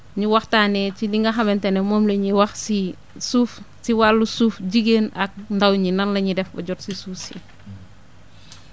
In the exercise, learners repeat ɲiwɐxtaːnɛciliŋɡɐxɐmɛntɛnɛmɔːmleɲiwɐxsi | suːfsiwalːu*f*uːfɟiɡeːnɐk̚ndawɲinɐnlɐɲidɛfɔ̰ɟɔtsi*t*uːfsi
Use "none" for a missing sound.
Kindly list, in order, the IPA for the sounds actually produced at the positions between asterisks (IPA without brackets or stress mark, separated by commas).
s, s